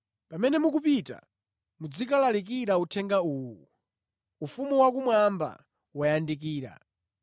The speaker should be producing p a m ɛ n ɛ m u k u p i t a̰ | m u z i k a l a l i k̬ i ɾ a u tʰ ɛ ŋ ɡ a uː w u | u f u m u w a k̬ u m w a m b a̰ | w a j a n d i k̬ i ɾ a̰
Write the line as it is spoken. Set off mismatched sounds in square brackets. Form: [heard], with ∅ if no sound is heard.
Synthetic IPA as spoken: p a m ɛ n ɛ m u k u p i t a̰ | m u [d͡z] i k a l a l i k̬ i ɾ a u tʰ ɛ ŋ ɡ a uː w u | u f u m u w a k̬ u m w a m b a̰ | w a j a n d i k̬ [iː] ɾ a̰